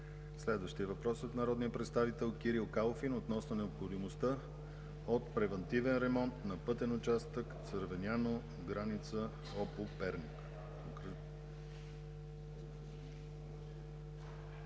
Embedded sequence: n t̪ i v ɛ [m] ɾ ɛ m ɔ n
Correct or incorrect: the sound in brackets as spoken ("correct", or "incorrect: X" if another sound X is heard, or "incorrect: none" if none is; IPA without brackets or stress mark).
incorrect: n